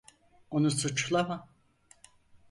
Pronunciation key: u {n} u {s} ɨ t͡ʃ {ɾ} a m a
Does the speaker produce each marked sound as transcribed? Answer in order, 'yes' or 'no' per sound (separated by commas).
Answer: yes, yes, no